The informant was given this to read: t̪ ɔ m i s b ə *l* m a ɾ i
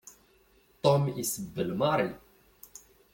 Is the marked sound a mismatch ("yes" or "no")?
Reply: no